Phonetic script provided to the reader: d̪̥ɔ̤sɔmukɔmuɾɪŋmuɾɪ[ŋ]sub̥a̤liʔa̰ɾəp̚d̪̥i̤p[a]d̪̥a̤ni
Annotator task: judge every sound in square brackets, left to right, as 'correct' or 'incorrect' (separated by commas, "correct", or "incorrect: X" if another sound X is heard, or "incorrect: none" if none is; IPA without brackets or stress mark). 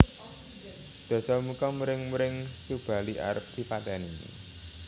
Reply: correct, correct